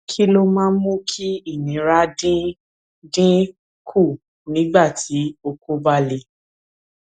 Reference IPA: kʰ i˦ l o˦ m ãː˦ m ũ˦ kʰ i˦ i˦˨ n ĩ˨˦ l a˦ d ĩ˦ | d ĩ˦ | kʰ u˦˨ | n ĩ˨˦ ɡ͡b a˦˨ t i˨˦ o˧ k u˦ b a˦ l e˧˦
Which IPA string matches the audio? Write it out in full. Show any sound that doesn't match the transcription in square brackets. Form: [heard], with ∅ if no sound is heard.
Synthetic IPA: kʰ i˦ l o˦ m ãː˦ m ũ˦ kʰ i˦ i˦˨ n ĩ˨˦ [ɾ] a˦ d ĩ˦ | d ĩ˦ | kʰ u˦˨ | n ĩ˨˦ ɡ͡b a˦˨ t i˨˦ o˧ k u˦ b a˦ l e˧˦